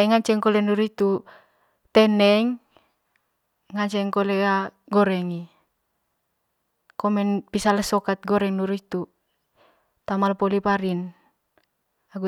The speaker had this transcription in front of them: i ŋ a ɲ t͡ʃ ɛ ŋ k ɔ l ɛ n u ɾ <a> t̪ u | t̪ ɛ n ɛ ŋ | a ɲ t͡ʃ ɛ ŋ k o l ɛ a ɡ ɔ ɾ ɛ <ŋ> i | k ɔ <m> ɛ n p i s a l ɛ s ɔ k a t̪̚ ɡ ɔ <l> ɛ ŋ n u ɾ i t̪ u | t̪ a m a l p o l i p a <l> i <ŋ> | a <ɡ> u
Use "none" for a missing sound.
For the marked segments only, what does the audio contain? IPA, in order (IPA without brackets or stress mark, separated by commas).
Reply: i, ŋ, m, ɾ, ɾ, n, ɡ